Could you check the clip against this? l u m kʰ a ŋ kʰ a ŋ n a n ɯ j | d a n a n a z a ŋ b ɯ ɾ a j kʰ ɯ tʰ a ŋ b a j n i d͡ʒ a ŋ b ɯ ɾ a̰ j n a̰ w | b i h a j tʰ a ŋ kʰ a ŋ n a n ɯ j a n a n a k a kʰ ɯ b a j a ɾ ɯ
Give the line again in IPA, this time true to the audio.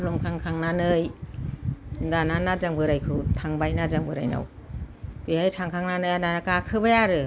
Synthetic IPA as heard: l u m kʰ a ŋ kʰ a ŋ n a n ɯ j | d a n a n a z a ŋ b ɯ ɾ a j kʰ ɯ tʰ a ŋ b a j n a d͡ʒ a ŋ b ɯ ɾ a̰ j n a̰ w | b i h a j tʰ a ŋ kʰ a ŋ n a n ɯ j a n a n a k a kʰ ɯ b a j a ɾ ɯ

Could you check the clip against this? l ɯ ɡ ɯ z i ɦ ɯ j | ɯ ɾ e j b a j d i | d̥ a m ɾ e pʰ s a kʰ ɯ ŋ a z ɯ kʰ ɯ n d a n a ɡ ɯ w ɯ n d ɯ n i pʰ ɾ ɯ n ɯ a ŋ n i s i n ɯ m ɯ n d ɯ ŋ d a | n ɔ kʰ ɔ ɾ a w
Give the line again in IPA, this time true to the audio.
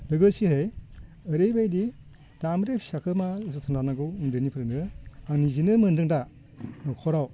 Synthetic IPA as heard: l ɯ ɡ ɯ s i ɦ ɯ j | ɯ ɾ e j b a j d i | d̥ a m ɾ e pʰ s a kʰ ɯ m a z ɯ tʰ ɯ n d a n a ɡ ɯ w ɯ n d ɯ n i pʰ ɾ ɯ n ɯ a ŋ n i z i n ɯ m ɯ n d ɯ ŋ d a | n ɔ kʰ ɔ ɾ a w

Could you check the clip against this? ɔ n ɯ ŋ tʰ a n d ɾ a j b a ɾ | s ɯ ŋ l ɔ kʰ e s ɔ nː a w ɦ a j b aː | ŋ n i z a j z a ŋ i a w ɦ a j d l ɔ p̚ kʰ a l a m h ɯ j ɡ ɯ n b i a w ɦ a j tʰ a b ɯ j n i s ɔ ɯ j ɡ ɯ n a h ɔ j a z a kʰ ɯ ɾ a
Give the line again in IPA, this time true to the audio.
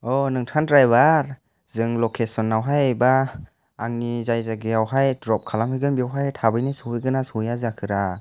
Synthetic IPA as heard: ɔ n ɯ ŋ tʰ a n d ɾ a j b a ɾ | z ɯ ŋ l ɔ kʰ e s ɔ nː a w ɦ a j b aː | ŋ n i z a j z a ɡ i a w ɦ a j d ɾ ɔ p̚ kʰ a l a m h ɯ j ɡ ɯ n b i a w ɦ a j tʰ a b ɯ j n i s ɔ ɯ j ɡ ɯ n a s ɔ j a z a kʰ ɯ ɾ a

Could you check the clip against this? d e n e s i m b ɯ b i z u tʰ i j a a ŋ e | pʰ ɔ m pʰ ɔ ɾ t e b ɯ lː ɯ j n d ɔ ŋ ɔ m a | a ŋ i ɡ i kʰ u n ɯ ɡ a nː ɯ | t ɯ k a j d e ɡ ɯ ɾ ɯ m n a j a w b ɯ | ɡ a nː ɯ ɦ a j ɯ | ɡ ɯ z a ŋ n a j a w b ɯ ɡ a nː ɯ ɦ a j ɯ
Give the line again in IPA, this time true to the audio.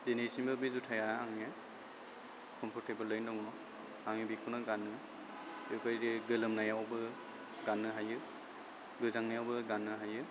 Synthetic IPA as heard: d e n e s i m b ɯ b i z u tʰ a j a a ŋ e | kʰ ɔ m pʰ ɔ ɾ t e b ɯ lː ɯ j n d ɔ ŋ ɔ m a | a ŋ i b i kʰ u n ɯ ɡ a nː ɯ | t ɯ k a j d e ɡ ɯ l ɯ m n a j a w b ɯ | ɡ a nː ɯ ɦ a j ɯ | ɡ ɯ z a ŋ n a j a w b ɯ ɡ a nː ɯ ɦ a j ɯ

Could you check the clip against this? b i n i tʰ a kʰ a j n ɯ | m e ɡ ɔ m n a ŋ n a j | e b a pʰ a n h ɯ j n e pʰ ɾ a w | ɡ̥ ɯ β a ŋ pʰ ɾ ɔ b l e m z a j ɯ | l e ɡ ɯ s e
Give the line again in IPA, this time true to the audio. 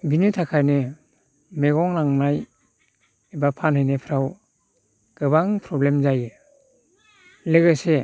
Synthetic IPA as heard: b i n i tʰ a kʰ a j n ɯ | m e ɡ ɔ ŋ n a ŋ n a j | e b a pʰ a n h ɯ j n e pʰ ɾ a w | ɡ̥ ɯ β a ŋ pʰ ɾ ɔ b l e m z a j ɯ | l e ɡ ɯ s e

